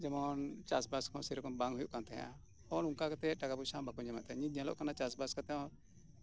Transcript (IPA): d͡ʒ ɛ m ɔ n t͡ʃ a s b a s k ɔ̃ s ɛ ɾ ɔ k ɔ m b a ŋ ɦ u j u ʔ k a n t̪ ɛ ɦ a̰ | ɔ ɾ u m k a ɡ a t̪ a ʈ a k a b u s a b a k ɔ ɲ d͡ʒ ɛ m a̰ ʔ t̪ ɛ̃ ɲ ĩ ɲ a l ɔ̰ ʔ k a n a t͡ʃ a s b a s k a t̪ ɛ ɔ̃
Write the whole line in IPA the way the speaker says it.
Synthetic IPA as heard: d͡ʒ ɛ m ɔ n t͡ʃ a s b a s k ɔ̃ s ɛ ɾ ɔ k ɔ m b a ŋ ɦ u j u ʔ k a n t̪ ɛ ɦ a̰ | ɔ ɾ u ŋ k a k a t̪ ɛ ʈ a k a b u s a b a k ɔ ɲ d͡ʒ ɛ m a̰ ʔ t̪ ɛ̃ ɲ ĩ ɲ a l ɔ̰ ʔ k a n a t͡ʃ a s b a s k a t̪ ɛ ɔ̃